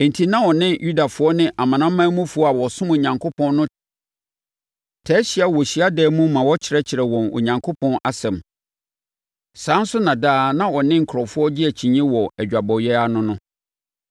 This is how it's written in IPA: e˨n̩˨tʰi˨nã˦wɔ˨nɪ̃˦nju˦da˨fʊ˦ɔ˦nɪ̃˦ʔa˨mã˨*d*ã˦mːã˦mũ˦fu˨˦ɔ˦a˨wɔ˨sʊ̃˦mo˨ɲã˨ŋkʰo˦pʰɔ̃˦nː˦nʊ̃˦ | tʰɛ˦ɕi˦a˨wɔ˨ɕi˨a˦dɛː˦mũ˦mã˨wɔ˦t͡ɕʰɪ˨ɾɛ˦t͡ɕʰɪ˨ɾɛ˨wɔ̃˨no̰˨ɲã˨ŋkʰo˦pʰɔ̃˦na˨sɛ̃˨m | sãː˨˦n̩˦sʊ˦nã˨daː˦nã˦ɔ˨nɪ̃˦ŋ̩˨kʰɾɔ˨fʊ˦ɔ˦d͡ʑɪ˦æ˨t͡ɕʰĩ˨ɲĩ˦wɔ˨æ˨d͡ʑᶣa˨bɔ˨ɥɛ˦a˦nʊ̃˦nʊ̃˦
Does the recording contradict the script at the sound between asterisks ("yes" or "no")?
yes